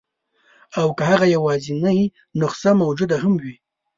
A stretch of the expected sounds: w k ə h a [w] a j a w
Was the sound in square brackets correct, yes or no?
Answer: no